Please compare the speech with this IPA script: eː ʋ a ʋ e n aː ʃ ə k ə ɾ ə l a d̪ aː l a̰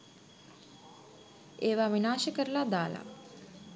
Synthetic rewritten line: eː ʋ a ʋ i n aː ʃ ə k ə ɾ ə l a d̪ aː l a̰

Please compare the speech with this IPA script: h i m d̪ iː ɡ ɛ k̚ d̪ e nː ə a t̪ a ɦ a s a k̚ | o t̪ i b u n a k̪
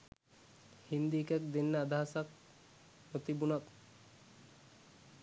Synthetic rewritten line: h i n d̪ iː k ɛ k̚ d̪ e nː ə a d̪ a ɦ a s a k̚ | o t̪ i b u n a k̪

